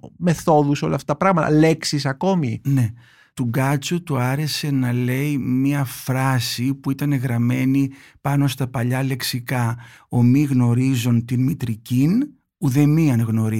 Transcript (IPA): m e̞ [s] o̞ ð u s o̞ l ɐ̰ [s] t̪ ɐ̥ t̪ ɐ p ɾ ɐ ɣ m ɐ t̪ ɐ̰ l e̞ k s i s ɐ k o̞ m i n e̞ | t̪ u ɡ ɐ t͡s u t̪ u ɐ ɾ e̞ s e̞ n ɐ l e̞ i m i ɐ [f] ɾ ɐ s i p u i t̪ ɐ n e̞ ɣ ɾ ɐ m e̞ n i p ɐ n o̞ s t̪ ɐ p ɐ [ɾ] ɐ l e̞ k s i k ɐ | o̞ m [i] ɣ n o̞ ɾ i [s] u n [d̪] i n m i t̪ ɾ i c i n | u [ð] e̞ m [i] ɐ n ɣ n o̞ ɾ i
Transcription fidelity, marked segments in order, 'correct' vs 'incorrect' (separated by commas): incorrect, incorrect, correct, incorrect, correct, incorrect, incorrect, correct, correct